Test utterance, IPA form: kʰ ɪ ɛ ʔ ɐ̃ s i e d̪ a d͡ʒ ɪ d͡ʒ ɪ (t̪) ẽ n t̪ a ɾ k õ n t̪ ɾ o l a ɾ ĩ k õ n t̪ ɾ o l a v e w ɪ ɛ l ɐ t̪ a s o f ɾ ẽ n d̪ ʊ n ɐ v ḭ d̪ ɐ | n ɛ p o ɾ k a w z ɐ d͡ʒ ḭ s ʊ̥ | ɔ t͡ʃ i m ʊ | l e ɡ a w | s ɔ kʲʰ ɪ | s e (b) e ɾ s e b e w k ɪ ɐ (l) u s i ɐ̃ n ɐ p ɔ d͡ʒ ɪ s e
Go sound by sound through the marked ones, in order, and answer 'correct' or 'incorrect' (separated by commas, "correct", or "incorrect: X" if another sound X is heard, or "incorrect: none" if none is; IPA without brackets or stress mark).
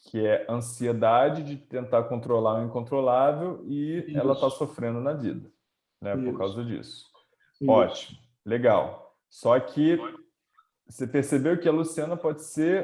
correct, incorrect: p, correct